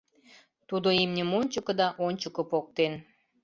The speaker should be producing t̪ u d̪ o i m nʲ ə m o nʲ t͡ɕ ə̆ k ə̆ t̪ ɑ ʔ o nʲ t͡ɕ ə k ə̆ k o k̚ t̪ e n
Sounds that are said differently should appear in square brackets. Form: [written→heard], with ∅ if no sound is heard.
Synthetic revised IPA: t̪ u d̪ o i m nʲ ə m o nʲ t͡ɕ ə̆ k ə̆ [t̪→d̪] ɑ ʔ o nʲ t͡ɕ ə k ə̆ [k→p] o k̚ t̪ e n